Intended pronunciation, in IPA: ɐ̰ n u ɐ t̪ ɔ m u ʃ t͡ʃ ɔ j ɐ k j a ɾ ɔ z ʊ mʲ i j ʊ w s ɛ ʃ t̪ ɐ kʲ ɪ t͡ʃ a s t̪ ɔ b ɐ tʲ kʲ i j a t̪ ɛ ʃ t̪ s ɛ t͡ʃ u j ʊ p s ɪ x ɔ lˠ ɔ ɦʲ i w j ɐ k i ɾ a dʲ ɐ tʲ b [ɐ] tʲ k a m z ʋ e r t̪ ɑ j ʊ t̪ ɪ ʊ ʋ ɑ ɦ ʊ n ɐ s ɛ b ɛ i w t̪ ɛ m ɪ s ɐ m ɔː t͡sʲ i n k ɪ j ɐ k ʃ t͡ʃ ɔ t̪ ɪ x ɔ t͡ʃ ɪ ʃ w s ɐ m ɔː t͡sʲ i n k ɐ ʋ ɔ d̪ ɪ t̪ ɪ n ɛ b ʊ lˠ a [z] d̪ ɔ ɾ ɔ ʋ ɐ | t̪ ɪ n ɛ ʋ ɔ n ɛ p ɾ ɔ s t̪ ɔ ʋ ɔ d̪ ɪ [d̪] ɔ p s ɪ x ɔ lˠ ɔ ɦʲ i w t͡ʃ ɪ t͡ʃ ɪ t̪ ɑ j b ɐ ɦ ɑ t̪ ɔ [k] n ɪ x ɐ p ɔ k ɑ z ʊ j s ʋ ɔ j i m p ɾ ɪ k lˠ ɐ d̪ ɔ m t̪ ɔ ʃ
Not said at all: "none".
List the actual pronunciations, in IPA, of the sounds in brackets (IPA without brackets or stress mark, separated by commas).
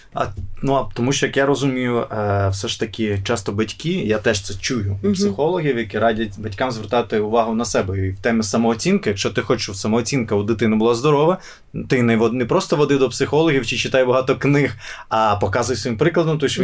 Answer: ɐ, z, d̪, k